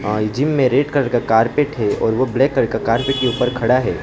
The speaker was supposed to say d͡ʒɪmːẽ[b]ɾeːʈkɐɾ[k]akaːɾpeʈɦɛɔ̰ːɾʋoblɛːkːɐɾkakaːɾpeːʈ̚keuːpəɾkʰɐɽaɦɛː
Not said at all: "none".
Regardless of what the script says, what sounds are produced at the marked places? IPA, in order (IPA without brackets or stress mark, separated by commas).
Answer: none, k